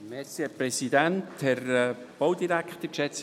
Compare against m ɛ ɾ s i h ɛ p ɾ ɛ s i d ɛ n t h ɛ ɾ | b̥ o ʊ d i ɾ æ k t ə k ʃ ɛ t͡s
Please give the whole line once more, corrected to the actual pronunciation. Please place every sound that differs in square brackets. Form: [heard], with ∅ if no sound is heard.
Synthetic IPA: m ɛ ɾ s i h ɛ p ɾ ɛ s i d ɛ n t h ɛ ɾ | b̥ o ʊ d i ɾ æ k t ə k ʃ ɛ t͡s